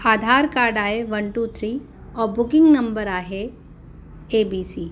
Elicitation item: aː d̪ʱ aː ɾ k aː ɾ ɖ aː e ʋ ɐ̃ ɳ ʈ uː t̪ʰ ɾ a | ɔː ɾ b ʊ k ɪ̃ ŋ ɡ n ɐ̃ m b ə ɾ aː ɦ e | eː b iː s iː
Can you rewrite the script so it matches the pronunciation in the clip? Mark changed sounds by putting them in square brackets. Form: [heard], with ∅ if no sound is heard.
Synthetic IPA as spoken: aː d̪ʱ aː ɾ k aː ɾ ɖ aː e ʋ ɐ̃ ɳ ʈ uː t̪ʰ ɾ [i] | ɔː ɾ b ʊ k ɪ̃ ŋ ɡ n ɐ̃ m b ə ɾ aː ɦ e | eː b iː s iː